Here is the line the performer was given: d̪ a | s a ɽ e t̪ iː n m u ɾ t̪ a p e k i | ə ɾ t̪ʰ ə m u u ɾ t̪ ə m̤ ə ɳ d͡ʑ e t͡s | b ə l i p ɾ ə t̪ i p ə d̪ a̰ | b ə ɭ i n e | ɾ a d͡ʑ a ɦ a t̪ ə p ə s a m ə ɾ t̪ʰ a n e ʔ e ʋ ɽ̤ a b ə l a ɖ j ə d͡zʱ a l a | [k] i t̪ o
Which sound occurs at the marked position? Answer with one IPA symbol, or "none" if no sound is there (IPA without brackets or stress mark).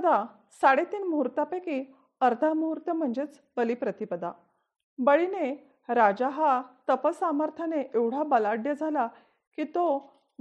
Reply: k